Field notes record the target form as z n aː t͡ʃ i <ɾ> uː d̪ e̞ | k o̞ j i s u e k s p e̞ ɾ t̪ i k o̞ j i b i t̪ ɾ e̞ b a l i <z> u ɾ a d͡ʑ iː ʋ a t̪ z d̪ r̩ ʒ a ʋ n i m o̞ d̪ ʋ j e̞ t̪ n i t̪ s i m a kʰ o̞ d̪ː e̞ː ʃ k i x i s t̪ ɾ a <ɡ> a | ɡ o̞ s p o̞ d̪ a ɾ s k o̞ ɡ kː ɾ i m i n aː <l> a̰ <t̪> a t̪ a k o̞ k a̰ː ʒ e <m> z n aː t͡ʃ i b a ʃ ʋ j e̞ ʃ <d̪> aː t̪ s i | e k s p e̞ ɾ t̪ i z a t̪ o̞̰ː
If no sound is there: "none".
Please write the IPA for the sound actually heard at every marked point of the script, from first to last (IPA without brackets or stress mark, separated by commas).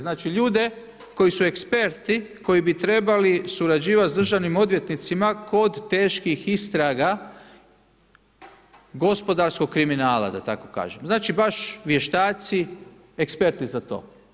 ʎ, s, ɡ, l, d̪, m, t̪